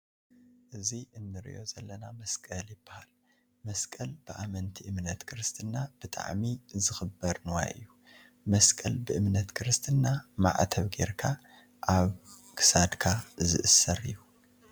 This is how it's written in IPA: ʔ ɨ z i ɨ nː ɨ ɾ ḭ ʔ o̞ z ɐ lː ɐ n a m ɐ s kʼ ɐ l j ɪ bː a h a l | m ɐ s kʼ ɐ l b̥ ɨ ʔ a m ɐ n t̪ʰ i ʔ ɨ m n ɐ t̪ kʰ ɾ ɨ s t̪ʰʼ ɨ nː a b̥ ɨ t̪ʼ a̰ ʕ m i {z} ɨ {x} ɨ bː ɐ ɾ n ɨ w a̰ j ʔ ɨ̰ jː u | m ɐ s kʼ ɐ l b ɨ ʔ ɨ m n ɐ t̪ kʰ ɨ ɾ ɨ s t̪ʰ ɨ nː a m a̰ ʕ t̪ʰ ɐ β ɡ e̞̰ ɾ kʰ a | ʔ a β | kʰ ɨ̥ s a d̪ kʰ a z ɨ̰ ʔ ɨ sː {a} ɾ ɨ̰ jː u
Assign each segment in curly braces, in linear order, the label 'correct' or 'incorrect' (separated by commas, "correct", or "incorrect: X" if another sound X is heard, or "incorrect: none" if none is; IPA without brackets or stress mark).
correct, correct, incorrect: ɐ